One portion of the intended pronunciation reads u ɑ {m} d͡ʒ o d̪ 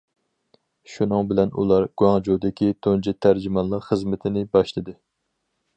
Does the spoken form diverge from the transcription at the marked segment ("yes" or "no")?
yes